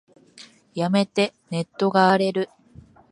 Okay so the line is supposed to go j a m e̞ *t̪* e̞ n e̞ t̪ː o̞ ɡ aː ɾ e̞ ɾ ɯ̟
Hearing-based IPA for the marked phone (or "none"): t̪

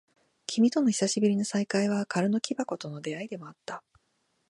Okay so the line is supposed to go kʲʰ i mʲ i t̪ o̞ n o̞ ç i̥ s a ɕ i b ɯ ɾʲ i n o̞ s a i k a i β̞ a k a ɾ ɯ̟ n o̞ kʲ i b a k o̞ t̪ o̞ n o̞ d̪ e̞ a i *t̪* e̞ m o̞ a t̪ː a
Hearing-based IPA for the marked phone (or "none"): d̪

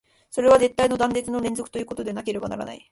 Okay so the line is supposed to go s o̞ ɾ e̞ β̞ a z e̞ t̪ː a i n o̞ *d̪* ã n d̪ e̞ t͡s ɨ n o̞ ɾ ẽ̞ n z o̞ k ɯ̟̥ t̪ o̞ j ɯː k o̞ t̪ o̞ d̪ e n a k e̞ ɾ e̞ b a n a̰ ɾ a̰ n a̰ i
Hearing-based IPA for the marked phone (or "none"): d̪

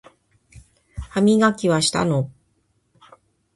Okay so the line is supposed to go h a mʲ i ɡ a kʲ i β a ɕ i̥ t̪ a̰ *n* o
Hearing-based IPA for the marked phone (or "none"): n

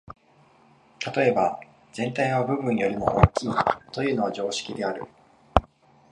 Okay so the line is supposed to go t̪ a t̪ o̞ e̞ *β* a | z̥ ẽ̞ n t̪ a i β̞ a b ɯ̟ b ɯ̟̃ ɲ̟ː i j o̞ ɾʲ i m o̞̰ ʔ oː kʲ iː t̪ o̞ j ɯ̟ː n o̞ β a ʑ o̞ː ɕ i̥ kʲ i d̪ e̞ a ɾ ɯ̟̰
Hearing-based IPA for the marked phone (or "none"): b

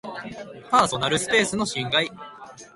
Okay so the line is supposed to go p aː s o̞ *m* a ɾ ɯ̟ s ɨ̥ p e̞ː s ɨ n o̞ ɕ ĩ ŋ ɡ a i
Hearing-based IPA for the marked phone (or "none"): n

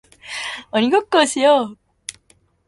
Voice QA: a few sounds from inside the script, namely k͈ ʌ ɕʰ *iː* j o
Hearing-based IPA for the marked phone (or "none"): i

